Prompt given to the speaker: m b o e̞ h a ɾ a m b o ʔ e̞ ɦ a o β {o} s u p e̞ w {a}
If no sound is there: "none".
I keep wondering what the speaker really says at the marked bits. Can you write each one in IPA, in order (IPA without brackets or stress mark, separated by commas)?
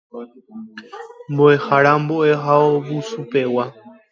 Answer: u, a